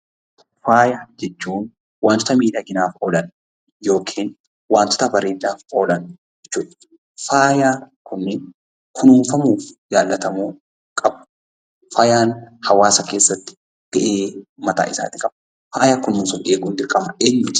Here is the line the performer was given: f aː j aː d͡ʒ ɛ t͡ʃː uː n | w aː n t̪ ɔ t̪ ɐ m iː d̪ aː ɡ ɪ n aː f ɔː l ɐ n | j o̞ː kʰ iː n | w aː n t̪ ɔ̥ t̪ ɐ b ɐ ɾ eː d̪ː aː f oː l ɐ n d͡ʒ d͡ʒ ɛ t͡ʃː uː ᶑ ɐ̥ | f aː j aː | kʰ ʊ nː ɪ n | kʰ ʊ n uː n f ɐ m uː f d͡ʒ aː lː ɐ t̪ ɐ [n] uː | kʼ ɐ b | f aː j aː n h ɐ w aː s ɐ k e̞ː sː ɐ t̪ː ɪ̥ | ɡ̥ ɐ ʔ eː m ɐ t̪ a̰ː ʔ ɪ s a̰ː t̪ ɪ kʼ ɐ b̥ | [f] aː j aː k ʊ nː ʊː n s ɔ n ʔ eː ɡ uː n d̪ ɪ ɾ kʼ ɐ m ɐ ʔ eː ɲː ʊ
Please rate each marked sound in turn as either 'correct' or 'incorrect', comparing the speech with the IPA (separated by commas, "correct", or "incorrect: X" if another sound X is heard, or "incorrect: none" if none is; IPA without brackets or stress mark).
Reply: incorrect: m, correct